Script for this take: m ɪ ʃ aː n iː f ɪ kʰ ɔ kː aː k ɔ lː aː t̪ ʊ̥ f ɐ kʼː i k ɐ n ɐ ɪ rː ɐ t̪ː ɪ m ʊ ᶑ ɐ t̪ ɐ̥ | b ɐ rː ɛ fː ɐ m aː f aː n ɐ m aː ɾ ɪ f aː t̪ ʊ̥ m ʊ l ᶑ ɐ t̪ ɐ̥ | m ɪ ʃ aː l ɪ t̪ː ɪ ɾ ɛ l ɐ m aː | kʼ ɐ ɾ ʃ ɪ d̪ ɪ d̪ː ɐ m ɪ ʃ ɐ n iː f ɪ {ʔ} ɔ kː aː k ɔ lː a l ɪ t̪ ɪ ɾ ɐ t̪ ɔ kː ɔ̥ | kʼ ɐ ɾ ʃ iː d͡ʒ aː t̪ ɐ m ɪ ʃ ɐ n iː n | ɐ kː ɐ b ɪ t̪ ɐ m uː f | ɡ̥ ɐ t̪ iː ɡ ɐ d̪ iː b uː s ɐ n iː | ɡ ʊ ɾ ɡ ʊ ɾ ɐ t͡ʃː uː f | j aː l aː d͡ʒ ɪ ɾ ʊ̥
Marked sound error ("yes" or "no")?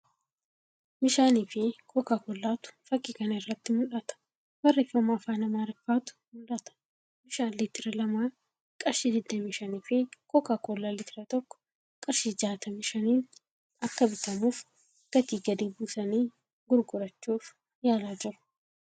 yes